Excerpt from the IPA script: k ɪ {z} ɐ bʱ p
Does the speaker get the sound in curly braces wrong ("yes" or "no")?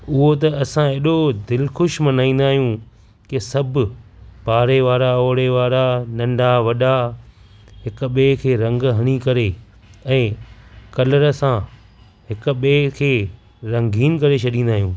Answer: yes